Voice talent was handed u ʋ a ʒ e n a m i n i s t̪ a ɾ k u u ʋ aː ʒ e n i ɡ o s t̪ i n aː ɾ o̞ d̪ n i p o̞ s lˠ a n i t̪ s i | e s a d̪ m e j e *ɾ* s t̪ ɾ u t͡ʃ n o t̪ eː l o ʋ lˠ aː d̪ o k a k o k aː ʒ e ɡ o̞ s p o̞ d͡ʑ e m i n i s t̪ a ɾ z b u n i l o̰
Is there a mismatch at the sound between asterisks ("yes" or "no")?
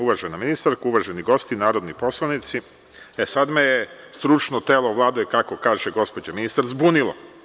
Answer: yes